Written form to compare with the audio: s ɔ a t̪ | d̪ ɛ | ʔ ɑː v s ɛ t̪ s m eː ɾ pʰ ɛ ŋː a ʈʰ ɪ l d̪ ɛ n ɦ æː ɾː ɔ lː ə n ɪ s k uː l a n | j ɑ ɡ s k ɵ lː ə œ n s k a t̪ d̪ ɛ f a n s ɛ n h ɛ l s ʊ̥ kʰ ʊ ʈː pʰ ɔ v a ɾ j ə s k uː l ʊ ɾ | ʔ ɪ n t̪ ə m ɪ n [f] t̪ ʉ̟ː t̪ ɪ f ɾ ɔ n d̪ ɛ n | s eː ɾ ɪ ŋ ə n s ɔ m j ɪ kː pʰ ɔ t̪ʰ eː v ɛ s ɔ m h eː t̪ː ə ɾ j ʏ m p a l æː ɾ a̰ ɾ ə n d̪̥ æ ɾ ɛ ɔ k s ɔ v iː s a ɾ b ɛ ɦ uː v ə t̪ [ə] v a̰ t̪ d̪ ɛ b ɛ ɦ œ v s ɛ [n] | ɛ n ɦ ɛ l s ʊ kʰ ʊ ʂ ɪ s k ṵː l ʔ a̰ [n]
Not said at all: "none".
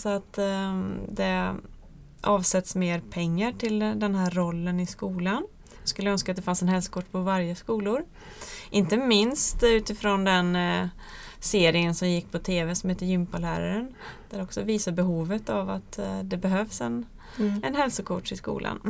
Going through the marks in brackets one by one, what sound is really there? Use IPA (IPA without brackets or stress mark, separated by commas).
s, a, n, n